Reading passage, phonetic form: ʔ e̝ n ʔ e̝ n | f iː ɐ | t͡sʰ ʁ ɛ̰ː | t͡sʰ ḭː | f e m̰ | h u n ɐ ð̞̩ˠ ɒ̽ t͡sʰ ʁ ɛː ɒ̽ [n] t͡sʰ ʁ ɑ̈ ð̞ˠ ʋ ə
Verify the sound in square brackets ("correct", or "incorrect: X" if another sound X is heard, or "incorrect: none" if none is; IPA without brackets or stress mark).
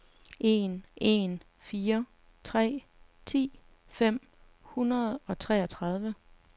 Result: incorrect: none